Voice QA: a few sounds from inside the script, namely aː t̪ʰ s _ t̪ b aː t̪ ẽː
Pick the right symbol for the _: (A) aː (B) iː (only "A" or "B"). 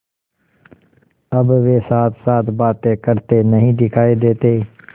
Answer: A